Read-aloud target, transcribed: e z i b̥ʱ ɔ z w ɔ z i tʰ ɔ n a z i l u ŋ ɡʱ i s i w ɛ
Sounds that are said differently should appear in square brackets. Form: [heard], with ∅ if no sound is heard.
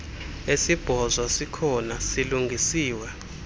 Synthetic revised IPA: e [s] i b̥ʱ ɔ z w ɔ [s] i [kʰ] ɔ n a [s] i l u ŋ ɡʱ i s [iː] w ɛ